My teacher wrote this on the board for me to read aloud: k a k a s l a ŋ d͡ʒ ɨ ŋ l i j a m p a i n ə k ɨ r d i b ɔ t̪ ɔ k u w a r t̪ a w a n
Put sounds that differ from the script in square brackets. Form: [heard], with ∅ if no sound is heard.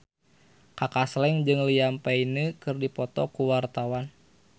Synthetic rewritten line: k a k a s l [ɛ] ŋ d͡ʒ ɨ ŋ l i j a m p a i n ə k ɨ r d i [p] ɔ t̪ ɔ k u w a r t̪ a w a n